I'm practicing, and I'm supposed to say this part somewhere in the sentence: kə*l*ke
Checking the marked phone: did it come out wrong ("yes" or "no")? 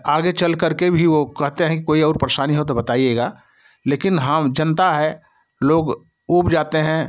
yes